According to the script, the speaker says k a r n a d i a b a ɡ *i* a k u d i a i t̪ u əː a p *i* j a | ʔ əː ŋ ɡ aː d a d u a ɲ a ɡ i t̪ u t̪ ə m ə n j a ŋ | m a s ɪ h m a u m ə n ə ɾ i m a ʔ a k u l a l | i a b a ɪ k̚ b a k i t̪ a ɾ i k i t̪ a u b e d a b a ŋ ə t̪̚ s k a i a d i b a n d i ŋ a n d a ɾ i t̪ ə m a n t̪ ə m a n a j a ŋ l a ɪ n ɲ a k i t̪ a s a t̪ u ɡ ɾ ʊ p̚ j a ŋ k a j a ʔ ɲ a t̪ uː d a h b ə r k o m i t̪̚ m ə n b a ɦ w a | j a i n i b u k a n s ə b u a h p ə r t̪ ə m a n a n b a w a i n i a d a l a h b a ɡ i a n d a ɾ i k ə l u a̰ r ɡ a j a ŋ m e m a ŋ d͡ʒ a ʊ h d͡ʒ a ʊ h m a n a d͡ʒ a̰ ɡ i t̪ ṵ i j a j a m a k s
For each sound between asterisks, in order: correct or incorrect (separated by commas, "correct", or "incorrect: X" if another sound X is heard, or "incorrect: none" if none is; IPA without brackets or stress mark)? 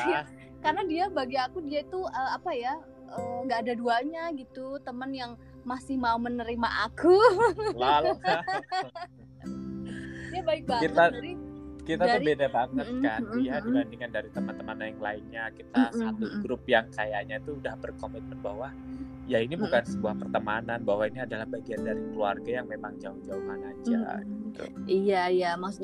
correct, incorrect: a